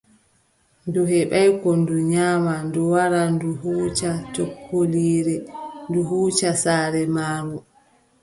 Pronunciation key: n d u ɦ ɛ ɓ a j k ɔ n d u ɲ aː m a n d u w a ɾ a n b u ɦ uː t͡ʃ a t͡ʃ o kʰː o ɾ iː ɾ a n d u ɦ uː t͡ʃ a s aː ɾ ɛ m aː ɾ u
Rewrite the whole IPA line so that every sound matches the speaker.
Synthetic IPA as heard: n d u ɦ ɛ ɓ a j k ɔ n d u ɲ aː m a n d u w a ɾ a n d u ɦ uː t͡ʃ a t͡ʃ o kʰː o l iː ɾ ɛ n d u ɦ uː t͡ʃ a s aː ɾ ɛ m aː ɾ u